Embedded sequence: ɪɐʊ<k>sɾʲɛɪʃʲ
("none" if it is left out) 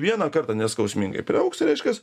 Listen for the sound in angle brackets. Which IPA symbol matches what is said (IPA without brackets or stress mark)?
k